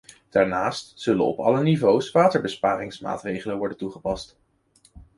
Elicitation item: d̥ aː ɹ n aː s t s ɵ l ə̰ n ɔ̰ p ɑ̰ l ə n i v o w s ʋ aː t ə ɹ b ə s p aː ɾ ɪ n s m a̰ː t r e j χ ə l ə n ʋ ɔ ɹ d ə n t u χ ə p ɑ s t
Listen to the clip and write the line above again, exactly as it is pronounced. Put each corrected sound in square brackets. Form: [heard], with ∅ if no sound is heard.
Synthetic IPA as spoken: d̥ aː ɹ n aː s t s ɵ l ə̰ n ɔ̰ p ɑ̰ l ə n i v o w s ʋ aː t ə ɹ b ə s p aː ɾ ɪ [ŋ] s m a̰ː t r e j χ ə l ə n ʋ ɔ ɹ d ə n t u χ ə p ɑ s t